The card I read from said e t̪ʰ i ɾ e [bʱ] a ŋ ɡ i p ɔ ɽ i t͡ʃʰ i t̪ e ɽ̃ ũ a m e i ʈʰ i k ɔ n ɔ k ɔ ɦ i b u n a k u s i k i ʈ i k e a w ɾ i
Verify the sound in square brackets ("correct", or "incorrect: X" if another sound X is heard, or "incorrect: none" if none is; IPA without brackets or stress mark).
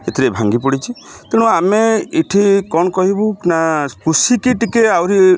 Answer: correct